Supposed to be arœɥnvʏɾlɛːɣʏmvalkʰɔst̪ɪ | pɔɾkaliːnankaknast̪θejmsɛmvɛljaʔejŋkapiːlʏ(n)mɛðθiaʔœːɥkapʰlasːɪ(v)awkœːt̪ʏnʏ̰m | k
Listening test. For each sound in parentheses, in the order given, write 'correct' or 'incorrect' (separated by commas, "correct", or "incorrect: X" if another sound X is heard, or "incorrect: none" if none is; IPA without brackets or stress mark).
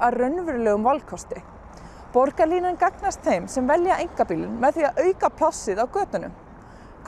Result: correct, incorrect: ð